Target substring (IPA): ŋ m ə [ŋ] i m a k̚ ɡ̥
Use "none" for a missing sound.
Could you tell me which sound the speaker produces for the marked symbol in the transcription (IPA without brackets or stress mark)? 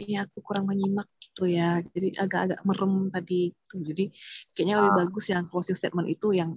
ɲ